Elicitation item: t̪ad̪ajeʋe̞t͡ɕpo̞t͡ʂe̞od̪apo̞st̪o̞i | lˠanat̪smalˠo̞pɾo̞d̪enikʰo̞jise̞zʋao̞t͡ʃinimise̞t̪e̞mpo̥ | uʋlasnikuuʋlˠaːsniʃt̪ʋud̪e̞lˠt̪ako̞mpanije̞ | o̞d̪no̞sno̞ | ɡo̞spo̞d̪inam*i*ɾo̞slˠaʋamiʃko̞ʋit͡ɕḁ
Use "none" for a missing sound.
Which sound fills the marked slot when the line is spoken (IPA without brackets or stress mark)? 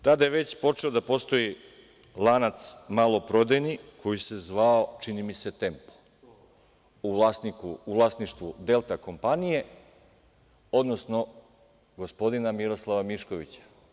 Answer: i